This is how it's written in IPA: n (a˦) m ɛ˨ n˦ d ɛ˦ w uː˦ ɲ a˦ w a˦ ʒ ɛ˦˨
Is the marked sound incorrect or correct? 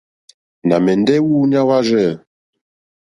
incorrect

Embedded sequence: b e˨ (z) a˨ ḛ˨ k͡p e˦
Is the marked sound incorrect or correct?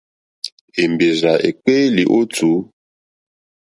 correct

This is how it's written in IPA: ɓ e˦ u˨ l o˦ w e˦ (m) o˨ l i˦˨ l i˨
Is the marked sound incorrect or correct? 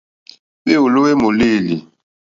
correct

